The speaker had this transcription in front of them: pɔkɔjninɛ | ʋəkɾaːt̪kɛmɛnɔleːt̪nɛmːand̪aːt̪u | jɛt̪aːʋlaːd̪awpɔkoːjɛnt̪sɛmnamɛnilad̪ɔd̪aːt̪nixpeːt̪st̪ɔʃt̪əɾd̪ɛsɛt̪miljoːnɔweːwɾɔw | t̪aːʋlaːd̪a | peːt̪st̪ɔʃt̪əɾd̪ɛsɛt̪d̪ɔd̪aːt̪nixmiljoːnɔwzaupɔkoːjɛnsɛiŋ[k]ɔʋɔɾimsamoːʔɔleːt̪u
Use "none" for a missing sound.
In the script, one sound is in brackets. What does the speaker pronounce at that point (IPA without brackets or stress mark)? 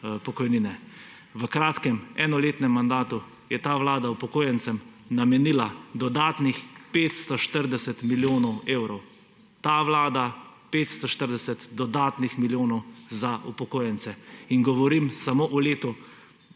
ɡ